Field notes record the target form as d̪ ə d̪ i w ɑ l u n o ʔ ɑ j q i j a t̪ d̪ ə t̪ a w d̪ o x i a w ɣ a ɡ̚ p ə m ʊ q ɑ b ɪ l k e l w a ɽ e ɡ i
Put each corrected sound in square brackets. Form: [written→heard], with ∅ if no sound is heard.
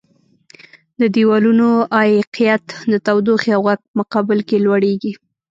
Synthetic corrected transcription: d̪ ə d̪ i w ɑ l u n o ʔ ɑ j q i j a t̪ d̪ ə t̪ a w d̪ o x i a w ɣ a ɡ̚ p ə m ʊ q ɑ b ɪ l k e l w a ɽ e ɡ i